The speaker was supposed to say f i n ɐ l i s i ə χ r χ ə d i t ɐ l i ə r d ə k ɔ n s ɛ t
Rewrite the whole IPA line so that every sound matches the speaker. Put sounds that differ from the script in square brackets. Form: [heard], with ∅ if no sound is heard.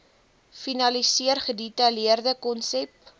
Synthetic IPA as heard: f i n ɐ l i s i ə [∅] r χ ə d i t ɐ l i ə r d ə k ɔ n s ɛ [p]